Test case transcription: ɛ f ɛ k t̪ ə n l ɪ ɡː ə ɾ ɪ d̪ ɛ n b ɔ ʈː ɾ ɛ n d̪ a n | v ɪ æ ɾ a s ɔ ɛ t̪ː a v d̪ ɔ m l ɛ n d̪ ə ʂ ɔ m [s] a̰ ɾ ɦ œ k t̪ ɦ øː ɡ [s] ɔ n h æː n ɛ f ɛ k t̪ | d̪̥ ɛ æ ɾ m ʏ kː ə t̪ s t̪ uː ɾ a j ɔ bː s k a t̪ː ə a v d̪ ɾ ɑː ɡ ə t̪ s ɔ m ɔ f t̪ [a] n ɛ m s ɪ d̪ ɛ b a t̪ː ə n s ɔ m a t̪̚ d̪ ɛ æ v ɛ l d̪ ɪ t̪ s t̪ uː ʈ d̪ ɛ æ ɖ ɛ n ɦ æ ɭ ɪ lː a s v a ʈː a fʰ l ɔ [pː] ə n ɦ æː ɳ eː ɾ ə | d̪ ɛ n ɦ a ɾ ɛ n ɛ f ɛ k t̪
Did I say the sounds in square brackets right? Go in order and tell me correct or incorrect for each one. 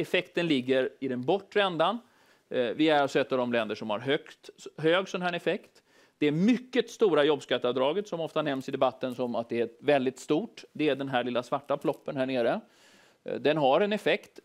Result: incorrect, correct, correct, correct

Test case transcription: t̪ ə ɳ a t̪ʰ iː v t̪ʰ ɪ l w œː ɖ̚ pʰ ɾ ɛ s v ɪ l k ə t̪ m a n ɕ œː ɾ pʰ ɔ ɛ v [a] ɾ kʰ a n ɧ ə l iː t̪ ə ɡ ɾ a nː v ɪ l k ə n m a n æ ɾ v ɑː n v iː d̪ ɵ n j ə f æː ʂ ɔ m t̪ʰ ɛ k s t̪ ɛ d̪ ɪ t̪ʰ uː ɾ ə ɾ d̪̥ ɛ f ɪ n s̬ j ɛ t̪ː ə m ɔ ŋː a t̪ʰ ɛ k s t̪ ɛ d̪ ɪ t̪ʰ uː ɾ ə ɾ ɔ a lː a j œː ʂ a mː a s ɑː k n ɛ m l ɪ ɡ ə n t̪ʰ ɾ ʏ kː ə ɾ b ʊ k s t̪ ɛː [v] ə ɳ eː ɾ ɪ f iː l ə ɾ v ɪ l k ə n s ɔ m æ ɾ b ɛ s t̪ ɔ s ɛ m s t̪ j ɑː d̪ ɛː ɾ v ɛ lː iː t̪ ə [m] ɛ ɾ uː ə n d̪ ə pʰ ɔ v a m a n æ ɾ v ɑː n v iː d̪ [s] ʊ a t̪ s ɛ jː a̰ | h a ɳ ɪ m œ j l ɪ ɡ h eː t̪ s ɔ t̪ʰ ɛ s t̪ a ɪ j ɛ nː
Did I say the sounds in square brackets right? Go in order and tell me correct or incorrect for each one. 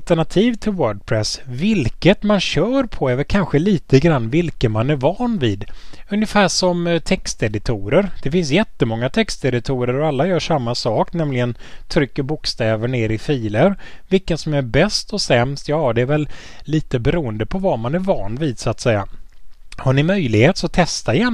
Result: incorrect, correct, incorrect, correct

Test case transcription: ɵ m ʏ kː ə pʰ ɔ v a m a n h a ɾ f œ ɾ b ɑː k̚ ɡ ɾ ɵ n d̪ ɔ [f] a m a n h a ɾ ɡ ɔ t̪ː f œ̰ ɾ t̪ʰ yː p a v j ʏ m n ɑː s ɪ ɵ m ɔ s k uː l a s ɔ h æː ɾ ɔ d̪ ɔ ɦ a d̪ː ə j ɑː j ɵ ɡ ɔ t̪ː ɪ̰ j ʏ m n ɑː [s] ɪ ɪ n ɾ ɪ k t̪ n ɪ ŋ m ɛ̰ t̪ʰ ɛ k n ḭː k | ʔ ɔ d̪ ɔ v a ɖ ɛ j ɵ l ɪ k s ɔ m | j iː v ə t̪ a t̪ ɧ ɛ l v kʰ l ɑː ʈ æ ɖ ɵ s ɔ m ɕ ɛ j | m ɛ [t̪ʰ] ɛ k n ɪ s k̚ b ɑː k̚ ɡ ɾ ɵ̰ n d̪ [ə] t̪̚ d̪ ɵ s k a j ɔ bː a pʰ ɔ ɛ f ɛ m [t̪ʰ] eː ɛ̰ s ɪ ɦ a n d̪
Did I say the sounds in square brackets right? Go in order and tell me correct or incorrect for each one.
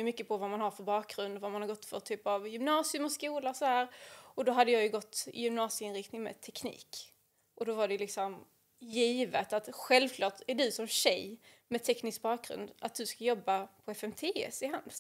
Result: incorrect, correct, correct, incorrect, correct

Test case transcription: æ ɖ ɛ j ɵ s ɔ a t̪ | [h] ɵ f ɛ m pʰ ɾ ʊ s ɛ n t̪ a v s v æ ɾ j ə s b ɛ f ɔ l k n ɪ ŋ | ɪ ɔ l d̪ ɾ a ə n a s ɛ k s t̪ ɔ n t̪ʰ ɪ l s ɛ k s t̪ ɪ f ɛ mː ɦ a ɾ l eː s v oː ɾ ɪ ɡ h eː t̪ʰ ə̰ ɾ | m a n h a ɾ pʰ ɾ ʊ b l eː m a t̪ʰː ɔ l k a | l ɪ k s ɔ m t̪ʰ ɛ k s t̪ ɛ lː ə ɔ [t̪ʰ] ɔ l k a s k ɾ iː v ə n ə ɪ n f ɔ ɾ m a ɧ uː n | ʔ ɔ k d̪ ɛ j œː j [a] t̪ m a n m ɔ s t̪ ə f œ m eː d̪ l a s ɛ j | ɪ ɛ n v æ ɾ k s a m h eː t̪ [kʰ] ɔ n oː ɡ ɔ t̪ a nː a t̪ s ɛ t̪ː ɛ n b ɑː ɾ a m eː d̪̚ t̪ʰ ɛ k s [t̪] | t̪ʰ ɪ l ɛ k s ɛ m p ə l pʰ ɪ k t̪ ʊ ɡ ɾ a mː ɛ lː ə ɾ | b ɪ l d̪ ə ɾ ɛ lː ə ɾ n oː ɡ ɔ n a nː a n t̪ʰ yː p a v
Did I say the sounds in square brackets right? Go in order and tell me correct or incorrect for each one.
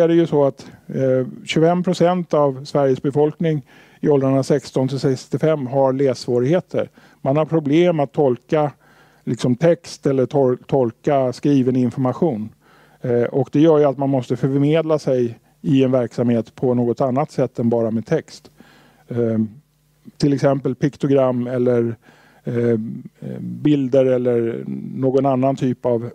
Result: incorrect, correct, correct, incorrect, correct

